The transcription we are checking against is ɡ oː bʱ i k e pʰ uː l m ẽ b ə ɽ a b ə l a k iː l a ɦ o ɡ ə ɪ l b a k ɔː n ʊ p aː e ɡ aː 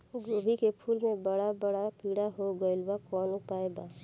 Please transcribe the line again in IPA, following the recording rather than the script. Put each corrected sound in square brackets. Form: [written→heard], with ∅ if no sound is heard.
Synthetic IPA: ɡ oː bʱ i k e pʰ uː l m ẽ b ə ɽ a b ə [l→ɽ] a [k→p] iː [l→ɽ] a ɦ o ɡ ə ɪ l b a k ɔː n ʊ p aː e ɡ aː